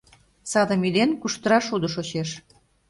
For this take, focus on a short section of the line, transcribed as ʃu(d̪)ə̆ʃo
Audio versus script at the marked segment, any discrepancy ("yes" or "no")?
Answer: no